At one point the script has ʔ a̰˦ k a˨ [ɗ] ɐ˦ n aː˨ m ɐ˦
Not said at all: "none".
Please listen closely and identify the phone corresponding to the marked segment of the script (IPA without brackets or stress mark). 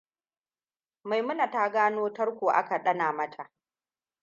ɗ